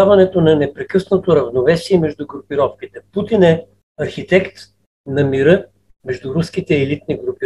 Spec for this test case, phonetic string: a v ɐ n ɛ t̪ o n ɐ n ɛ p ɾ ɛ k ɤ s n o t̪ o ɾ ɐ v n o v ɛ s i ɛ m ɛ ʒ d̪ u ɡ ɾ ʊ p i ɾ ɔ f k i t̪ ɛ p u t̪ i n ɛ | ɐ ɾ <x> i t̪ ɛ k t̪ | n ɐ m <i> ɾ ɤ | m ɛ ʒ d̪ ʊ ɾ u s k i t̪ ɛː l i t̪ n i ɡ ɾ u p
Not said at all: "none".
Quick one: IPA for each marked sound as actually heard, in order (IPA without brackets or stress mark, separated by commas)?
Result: x, i